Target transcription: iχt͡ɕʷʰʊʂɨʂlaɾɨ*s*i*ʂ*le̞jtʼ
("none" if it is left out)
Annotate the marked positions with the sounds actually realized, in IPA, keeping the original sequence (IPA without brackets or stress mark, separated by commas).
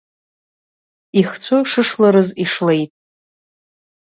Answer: z, ʂ